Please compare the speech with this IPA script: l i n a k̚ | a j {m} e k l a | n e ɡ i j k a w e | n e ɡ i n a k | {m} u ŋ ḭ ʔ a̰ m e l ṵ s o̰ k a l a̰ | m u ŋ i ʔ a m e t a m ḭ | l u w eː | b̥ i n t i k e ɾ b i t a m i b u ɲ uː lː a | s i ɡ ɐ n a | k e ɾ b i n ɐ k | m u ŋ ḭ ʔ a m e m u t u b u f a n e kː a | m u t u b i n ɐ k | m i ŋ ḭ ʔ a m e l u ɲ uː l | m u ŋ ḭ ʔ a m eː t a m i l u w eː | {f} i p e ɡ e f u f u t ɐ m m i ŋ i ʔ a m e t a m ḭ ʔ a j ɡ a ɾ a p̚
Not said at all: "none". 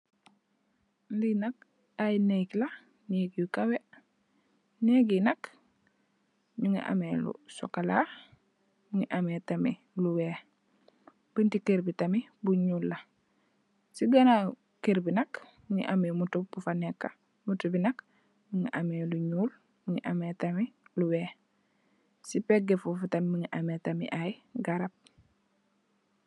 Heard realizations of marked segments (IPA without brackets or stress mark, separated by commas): n, ɲ, s